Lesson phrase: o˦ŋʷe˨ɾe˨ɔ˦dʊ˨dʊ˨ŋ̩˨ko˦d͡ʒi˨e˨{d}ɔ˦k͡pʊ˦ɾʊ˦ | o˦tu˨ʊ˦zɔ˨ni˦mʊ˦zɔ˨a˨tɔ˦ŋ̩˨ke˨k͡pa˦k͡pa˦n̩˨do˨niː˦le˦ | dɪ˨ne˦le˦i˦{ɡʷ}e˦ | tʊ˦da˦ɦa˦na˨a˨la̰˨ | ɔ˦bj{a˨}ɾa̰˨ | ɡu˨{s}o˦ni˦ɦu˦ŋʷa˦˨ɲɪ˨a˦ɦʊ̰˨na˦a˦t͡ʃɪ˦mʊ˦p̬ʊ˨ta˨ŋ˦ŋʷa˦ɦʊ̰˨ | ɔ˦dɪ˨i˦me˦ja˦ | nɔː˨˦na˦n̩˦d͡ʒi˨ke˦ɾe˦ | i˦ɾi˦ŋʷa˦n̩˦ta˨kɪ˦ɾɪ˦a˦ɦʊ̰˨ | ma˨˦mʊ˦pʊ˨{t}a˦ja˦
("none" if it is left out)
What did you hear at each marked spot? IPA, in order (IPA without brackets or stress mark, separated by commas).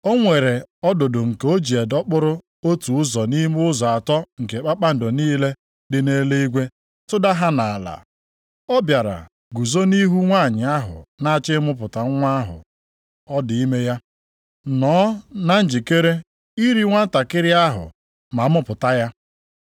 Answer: d, ɡʷ, a˨, z, t